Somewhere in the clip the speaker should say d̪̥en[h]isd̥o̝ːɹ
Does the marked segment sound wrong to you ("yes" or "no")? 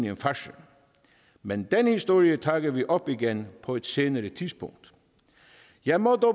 no